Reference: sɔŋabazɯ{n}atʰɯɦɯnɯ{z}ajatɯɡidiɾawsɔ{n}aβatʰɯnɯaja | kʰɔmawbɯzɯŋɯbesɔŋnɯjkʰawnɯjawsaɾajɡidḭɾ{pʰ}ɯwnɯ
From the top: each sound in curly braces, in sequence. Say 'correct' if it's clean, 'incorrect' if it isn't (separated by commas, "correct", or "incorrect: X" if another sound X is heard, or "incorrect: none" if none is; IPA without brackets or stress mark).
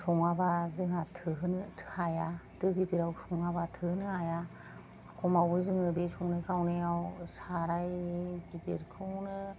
incorrect: ŋ, incorrect: none, incorrect: ŋ, incorrect: kʰ